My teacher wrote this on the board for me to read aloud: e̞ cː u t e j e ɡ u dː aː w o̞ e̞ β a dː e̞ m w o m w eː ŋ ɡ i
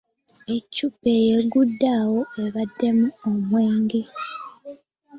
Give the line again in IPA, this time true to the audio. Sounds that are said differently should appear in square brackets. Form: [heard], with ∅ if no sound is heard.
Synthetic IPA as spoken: e̞ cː u [p] e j e ɡ u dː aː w o̞ e̞ β a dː e̞ m [u] o m w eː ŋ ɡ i